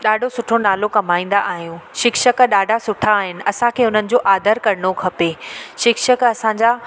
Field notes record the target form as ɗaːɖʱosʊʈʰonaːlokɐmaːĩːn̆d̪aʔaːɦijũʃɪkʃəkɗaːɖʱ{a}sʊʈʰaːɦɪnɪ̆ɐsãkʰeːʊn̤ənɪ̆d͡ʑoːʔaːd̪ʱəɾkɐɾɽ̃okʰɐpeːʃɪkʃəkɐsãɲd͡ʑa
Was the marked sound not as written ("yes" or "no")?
no